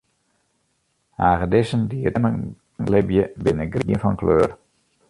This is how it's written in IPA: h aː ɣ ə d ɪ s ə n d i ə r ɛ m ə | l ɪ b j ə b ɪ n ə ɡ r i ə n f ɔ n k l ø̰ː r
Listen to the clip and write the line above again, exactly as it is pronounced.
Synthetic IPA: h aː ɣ ə d ɪ s ə n d i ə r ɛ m ə | l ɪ b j ə b ɪ n ə ɡ r i ə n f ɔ n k l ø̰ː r